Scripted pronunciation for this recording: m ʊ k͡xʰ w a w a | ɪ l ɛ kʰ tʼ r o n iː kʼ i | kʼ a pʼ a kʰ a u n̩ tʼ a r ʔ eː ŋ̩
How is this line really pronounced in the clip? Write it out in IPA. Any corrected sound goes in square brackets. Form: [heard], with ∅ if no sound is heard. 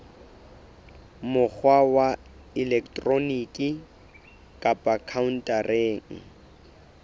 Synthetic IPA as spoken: m ʊ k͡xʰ w a w a | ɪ l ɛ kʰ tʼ r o n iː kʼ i | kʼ a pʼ a kʰ a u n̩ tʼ a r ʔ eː ŋ̩